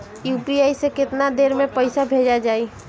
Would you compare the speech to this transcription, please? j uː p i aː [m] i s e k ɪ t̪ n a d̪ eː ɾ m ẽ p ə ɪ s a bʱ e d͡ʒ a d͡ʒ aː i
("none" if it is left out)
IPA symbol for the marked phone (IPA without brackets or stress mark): none